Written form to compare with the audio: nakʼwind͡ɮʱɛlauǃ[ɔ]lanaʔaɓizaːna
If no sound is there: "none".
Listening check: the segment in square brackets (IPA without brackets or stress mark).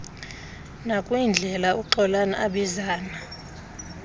ɔ